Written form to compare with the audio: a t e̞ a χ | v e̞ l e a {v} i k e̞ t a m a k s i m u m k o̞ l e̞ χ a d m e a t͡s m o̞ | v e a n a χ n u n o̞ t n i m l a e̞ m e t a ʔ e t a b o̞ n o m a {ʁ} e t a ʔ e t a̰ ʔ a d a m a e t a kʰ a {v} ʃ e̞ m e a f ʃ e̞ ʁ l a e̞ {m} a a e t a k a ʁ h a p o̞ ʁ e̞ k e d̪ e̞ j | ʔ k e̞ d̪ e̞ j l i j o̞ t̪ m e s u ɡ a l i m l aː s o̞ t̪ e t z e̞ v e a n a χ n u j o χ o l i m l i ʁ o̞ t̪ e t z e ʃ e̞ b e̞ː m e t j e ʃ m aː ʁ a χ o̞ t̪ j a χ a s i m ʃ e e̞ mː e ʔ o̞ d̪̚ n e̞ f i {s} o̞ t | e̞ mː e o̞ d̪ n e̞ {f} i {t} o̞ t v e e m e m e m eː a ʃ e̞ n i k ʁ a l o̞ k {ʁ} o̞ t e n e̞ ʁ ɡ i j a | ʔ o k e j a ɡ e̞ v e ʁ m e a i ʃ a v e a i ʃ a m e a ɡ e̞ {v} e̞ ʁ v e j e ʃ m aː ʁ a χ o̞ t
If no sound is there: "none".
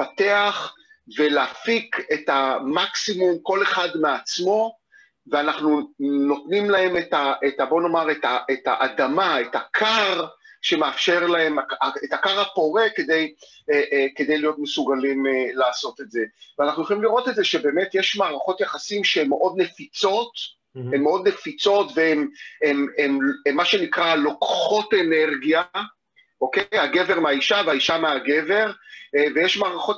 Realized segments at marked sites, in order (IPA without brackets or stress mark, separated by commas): f, ʁ, ʁ, m, t͡s, f, t͡s, χ, v